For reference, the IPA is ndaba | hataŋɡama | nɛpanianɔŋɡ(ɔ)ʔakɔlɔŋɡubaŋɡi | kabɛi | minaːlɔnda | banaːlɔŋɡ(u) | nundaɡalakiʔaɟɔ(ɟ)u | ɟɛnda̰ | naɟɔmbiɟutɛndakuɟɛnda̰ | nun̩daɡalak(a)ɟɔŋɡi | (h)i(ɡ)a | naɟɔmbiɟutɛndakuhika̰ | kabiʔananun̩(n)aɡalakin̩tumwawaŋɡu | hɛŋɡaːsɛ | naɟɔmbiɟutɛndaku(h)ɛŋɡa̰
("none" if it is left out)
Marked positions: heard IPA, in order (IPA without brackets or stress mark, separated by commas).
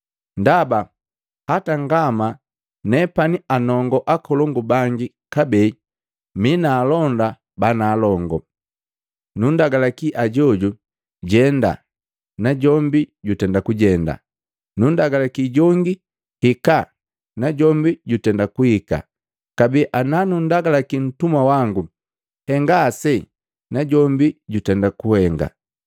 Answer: ɔ, ɔ, ɟ, i, h, k, d, h